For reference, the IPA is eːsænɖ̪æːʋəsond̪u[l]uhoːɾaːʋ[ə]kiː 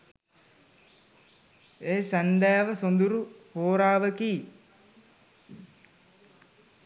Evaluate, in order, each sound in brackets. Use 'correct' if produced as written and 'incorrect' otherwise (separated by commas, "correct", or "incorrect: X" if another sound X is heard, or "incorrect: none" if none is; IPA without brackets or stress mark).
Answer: incorrect: ɾ, correct